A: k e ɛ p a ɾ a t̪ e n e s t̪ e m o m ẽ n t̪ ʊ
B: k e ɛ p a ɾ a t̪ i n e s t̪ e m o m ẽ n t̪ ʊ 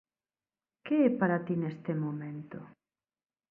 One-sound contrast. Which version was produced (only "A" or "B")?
B